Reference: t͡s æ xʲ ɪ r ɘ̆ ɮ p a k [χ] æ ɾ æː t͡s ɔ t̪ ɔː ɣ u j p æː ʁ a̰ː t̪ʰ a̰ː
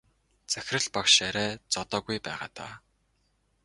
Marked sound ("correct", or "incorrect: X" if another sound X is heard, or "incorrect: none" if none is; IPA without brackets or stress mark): incorrect: ʃ